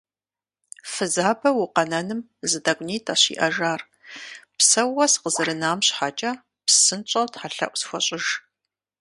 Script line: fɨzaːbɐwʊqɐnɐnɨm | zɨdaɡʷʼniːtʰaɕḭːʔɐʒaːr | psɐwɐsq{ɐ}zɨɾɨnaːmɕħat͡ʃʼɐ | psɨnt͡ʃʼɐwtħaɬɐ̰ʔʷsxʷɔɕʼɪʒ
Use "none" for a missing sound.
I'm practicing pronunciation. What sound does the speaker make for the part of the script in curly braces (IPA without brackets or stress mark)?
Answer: ə